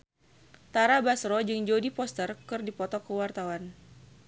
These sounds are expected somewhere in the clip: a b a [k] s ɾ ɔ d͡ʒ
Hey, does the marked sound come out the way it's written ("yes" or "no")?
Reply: no